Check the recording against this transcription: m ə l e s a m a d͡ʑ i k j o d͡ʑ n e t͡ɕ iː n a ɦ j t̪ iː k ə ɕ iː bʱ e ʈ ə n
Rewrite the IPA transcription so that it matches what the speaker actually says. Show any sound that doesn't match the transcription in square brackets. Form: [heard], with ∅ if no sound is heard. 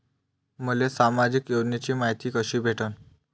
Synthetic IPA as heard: m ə l e s a m a d͡ʑ i k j o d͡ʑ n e t͡ɕ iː [m] a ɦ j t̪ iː k ə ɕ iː bʱ e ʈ ə n